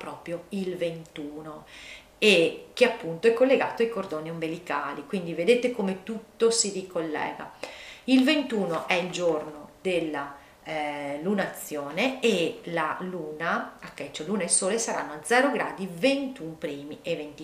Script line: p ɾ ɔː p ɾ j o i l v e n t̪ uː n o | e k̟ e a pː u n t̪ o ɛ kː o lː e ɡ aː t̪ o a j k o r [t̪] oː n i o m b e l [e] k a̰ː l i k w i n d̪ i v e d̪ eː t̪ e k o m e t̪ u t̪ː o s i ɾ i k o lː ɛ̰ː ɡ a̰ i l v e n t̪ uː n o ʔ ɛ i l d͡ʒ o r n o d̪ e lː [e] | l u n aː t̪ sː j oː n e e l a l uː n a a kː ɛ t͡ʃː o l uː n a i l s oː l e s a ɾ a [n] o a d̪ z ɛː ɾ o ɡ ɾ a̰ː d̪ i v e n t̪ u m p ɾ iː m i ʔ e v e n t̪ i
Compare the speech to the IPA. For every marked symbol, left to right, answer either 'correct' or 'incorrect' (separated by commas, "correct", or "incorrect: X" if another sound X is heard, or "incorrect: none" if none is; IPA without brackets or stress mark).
incorrect: d̪, incorrect: i, incorrect: a, incorrect: nː